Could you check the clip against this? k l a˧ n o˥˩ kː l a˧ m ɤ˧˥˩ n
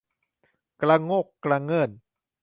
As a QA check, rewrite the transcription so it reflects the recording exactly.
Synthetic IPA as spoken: k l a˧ ŋ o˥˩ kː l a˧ ŋ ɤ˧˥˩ n